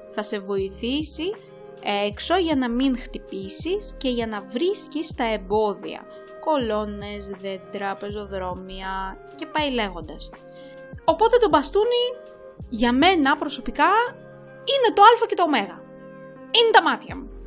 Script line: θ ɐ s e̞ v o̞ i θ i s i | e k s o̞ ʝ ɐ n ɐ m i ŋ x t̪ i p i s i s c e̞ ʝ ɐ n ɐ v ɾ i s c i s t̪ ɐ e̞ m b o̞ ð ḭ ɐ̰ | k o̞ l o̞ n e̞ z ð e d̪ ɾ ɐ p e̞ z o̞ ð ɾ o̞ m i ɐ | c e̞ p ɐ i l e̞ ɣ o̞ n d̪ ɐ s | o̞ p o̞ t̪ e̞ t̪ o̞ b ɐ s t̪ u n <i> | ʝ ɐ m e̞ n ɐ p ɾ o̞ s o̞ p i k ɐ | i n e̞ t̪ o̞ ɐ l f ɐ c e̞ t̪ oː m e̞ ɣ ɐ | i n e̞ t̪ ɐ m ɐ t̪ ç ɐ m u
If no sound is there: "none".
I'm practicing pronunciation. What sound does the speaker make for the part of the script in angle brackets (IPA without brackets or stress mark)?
i